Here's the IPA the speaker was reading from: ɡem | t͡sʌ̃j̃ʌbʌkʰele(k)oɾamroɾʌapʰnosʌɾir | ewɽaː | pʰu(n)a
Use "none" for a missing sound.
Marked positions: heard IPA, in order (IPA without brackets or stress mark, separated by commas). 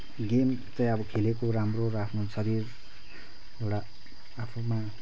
k, m